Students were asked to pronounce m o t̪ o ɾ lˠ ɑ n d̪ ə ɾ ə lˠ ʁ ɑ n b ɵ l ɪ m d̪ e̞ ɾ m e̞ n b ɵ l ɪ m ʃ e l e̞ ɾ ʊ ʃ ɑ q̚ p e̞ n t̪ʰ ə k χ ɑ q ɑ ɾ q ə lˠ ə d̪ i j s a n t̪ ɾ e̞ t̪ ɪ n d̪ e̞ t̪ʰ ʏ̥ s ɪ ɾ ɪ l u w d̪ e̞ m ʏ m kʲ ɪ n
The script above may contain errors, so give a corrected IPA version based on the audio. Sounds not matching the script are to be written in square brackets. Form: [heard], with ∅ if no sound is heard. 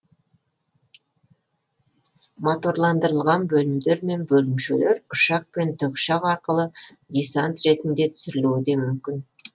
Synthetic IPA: m o t̪ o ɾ lˠ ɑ n d̪ ə ɾ ə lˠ ʁ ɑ n b ɵ l ɪ m d̪ e̞ ɾ m e̞ n b ɵ l ɪ m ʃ e l e̞ ɾ ʊ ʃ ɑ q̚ p e̞ n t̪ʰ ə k [ʃ] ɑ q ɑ ɾ q ə lˠ ə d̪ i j s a n t̪ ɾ e̞ t̪ ɪ n d̪ e̞ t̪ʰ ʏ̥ s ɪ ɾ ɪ l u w d̪ e̞ m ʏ m kʲ ɪ n